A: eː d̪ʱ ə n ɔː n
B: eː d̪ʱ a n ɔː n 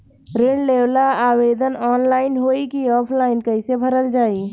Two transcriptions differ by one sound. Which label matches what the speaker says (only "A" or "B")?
A